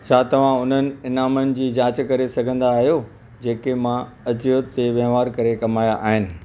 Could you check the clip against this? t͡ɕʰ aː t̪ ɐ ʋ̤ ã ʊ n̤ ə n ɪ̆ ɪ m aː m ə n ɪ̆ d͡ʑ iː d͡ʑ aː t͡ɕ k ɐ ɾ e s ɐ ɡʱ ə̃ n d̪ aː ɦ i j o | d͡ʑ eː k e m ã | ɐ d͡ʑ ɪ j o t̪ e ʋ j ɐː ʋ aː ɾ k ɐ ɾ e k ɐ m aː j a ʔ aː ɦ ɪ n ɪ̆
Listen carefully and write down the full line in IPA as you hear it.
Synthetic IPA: t͡ɕʰ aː t̪ ɐ ʋ̤ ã ʊ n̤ ə n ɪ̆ ɪ n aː m ə n ɪ̆ d͡ʑ iː d͡ʑ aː t͡ɕ k ɐ ɾ e s ɐ ɡʱ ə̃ n d̪ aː ɦ i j o | d͡ʑ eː k e m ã | ɐ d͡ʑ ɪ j o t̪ e ʋ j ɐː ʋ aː ɾ k ɐ ɾ e k ɐ m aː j a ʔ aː ɦ ɪ n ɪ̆